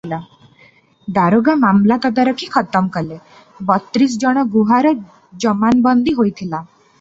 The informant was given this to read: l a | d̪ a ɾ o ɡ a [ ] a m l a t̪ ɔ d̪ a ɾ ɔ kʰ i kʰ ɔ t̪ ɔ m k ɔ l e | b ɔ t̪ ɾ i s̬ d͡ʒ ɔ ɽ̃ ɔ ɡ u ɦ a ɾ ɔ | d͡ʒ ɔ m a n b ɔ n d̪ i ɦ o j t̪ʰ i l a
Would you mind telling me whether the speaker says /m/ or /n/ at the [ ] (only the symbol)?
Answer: m